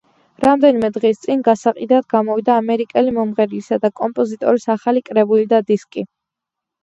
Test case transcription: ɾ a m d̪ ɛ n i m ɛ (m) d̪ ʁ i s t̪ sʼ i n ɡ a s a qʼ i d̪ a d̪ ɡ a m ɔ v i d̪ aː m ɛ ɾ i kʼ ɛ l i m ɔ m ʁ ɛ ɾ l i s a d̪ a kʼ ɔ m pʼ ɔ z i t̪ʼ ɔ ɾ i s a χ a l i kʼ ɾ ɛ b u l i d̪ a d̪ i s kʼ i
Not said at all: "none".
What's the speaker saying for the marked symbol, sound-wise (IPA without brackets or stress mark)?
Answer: none